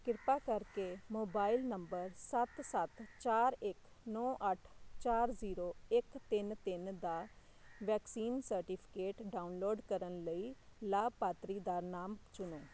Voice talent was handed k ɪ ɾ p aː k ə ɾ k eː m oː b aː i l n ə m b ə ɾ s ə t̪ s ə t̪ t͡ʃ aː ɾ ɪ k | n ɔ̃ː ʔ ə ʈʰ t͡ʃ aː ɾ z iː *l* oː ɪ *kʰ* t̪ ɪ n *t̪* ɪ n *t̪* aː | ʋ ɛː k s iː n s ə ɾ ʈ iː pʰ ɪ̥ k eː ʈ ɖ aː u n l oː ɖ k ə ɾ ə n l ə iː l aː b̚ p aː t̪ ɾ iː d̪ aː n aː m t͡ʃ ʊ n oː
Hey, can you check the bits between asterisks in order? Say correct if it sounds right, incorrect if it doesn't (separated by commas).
incorrect, incorrect, correct, incorrect